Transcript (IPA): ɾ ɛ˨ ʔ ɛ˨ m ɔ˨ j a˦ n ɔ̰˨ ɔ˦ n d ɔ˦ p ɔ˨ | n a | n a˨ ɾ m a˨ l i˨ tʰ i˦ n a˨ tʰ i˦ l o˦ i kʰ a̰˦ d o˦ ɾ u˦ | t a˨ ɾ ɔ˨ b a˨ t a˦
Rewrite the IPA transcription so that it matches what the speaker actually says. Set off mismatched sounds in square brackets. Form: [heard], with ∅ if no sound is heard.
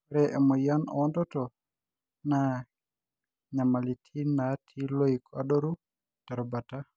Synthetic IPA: ɾ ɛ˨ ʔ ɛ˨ m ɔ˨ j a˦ n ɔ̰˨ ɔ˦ n d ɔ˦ [t] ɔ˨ | n a | [ɲ] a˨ [∅] m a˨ l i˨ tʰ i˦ n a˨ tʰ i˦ l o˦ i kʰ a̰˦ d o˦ ɾ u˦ | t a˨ ɾ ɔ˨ b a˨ t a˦

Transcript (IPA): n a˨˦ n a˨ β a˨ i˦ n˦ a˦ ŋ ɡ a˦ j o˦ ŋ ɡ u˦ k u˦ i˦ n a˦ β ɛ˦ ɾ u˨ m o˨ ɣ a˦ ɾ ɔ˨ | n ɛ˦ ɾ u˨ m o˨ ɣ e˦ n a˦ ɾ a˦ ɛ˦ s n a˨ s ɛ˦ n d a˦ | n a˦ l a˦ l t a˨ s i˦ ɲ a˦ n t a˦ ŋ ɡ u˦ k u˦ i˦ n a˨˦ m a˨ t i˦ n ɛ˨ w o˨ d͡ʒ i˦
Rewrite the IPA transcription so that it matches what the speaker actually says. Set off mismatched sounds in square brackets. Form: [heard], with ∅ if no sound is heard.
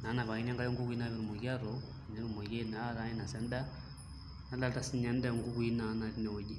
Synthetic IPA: n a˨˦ n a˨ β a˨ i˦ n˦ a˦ ŋ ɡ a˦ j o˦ ŋ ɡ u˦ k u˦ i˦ n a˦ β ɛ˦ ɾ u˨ m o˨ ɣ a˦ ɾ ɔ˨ | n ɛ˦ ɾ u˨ m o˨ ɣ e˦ n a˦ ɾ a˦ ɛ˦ [∅] n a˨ s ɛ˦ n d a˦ | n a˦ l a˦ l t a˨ s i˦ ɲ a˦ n [d] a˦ ŋ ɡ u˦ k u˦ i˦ n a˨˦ [n] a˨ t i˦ n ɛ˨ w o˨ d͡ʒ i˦

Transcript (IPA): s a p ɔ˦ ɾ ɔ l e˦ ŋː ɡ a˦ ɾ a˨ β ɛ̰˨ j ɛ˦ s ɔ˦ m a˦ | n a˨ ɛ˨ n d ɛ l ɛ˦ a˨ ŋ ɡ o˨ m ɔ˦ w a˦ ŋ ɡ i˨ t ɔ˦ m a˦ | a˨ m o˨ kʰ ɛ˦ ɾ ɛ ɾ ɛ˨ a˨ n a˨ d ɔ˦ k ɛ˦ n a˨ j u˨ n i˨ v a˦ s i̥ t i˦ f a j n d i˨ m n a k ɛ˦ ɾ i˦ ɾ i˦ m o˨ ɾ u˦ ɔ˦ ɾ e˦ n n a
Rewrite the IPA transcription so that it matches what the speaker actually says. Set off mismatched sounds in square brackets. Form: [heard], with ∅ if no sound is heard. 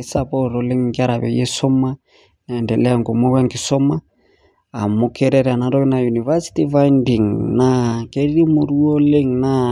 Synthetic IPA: s a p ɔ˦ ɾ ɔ l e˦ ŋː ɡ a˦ ɾ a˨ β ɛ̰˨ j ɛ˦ s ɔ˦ m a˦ | n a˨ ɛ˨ n d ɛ l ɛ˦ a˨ ŋ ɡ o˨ m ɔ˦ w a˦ ŋ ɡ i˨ [s] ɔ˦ m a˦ | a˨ m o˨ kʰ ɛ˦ ɾ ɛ ɾ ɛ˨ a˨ n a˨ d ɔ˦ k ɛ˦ n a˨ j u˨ n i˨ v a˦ s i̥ t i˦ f a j n d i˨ [ŋ] n a k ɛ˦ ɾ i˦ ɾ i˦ m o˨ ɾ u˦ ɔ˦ [l] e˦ [ŋ] n a

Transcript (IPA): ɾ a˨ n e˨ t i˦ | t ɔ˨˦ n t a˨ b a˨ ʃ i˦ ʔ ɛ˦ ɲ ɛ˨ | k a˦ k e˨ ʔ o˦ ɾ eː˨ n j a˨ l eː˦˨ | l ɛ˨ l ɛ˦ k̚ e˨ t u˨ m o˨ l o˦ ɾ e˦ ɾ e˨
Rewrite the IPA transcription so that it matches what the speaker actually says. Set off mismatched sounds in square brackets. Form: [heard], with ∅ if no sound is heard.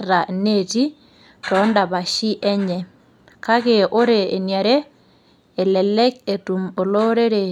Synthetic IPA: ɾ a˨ n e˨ t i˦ | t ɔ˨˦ n [d] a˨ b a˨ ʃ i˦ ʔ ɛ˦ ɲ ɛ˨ | k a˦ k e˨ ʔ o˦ ɾ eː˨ n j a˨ [ɾ] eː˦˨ | l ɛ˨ l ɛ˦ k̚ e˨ t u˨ m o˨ l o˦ ɾ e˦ ɾ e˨

